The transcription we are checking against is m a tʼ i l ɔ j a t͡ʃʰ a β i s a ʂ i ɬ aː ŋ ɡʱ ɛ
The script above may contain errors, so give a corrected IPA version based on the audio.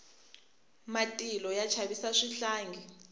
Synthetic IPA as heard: m a tʼ i l ɔ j a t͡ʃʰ a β i s a ʂ i ɬ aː ŋ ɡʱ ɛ